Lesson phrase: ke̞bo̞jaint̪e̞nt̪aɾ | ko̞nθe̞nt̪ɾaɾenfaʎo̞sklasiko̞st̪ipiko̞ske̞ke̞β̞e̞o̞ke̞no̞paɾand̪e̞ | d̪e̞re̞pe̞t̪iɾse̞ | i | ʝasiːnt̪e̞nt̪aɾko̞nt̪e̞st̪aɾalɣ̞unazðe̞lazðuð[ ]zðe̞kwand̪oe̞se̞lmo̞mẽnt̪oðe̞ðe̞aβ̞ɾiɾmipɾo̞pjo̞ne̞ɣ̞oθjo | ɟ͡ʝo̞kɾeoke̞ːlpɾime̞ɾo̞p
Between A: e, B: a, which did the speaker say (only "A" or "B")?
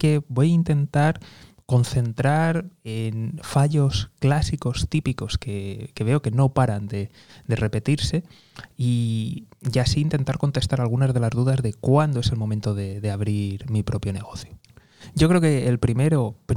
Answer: B